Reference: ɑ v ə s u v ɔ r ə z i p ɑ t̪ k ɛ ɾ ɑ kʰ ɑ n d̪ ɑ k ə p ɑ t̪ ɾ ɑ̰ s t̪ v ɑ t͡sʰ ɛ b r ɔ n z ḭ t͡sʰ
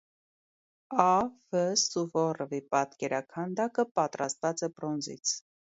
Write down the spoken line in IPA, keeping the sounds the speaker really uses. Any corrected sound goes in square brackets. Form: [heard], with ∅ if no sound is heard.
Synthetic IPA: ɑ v ə s u v ɔ r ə [v] i p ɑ t̪ k ɛ ɾ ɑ kʰ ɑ n d̪ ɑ k ə p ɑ t̪ ɾ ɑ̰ s t̪ v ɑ [t͡s] ɛ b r ɔ n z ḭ t͡sʰ